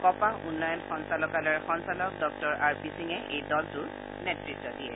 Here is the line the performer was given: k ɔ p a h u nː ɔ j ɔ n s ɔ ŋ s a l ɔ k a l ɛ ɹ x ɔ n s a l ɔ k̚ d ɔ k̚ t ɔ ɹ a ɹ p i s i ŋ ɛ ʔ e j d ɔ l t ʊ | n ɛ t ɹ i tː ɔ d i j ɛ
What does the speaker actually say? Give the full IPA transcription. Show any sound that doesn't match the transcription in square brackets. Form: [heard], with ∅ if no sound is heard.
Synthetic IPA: k ɔ p a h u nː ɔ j ɔ n [x] ɔ [n] s a l ɔ k a l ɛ ɹ x ɔ n s a l ɔ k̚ d ɔ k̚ t ɔ ɹ a ɹ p i s i ŋ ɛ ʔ e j d ɔ l t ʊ | n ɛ t ɹ i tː ɔ d i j ɛ